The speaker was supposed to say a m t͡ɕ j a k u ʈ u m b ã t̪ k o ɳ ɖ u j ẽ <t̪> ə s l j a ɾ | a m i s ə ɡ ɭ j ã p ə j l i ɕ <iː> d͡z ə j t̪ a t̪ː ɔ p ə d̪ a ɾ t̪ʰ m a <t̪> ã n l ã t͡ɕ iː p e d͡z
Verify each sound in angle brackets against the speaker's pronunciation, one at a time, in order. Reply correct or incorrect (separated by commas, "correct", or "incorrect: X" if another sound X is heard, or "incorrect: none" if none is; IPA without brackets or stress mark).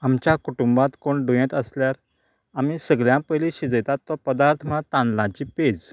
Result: correct, incorrect: i, correct